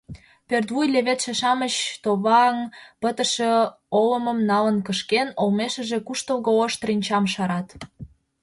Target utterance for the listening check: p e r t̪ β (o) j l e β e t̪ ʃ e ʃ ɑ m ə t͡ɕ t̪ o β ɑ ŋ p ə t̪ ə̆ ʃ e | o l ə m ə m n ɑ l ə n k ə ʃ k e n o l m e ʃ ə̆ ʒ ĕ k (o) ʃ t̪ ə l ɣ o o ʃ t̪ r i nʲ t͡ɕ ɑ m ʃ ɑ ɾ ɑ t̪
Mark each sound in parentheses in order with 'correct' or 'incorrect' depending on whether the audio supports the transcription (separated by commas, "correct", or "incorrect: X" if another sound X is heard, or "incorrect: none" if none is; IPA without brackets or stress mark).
incorrect: u, incorrect: u